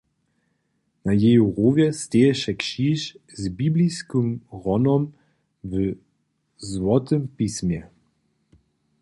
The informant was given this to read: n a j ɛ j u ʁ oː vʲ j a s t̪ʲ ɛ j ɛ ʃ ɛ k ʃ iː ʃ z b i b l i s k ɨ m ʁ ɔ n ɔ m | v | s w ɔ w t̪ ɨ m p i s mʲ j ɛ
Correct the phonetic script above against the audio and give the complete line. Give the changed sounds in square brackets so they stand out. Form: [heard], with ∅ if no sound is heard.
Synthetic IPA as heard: n a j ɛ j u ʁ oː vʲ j [ɛ] s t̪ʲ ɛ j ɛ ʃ ɛ k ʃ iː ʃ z b i b l i s k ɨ m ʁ ɔ n ɔ m | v | [z] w ɔ [∅] t̪ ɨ m p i s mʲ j ɛ